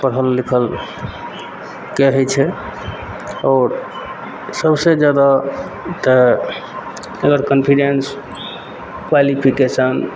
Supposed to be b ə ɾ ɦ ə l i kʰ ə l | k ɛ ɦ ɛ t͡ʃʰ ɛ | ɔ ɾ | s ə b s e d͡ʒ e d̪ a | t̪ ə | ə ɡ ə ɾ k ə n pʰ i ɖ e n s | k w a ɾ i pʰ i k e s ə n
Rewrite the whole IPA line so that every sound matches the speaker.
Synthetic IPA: p ə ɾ ɦ ə lː i kʰ ə l | k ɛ ɦ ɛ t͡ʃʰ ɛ | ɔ ɾ | s ə b s e d͡ʒ a d̪ a | t̪ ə | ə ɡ ə ɾ k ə n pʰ i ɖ e n s | k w a l i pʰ i k e s ə n